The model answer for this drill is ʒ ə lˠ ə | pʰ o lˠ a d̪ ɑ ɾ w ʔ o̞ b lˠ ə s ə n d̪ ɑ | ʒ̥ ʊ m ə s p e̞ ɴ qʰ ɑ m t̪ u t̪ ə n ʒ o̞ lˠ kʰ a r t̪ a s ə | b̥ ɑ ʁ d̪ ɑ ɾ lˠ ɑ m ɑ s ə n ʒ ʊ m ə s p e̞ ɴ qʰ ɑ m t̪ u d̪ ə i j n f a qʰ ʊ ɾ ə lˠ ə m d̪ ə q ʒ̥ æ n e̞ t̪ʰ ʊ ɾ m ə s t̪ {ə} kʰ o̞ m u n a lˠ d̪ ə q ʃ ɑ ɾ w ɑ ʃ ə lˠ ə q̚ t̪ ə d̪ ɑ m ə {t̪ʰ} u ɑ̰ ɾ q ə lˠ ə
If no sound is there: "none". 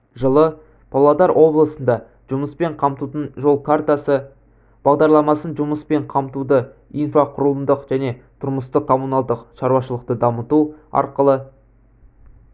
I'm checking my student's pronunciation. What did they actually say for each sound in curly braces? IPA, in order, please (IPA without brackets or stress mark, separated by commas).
ə, t̪